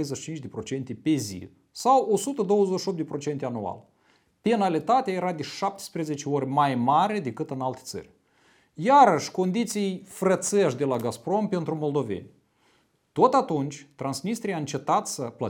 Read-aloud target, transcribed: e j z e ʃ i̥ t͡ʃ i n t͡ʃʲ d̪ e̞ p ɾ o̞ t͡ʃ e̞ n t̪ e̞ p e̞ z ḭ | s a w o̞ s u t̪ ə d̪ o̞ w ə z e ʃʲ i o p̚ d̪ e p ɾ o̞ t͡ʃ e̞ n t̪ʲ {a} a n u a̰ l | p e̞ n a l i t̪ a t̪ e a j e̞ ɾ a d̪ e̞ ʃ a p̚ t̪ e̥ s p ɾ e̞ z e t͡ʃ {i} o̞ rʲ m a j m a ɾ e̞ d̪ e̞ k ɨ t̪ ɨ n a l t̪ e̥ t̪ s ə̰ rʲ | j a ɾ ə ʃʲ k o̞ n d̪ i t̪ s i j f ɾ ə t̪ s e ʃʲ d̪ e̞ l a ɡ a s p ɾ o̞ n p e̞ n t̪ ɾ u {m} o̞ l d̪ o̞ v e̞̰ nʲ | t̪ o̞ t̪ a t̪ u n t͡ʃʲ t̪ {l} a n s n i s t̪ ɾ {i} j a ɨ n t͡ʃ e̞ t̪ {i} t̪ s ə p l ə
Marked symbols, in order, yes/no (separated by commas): no, no, yes, no, yes, no